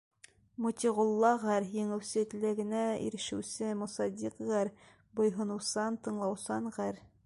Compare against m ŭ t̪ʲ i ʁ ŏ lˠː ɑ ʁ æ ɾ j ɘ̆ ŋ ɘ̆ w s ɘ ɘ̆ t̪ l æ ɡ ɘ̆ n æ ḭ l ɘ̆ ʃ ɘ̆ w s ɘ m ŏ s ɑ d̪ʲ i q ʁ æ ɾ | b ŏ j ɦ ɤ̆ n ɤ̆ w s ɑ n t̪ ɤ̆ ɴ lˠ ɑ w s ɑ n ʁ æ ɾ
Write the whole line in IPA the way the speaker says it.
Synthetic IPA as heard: m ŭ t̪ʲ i ʁ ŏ lˠː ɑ ʁ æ ɾ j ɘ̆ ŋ ɘ̆ w s ɘ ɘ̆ t̪ l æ ɡ ɘ̆ n æ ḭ ɾ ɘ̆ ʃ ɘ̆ w s ɘ m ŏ s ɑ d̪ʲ i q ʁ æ ɾ | b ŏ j ɦ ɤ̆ n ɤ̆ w s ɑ n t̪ ɤ̆ ɴ lˠ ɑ w s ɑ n ʁ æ ɾ